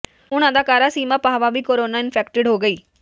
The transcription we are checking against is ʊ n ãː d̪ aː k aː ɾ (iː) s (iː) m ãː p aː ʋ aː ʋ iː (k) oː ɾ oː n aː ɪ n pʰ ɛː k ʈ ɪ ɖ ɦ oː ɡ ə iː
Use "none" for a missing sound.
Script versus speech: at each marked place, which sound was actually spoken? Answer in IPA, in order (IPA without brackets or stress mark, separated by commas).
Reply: aː, iː, k